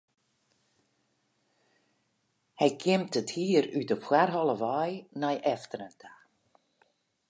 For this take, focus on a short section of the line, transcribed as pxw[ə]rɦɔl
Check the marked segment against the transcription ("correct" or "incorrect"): incorrect